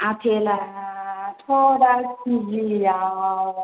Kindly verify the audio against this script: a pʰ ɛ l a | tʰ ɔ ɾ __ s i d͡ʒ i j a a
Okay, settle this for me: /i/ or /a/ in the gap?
a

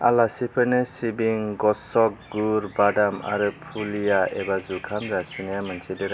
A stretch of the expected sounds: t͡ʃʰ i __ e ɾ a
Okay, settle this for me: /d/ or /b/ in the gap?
d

